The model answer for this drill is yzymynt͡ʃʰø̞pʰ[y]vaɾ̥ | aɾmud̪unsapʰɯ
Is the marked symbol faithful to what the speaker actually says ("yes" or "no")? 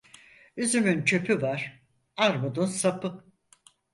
yes